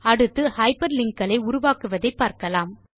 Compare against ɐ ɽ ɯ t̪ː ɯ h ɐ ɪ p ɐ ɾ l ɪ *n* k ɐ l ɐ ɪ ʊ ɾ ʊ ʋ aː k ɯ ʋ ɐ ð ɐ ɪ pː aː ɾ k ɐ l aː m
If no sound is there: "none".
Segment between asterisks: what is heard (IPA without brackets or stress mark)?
ŋ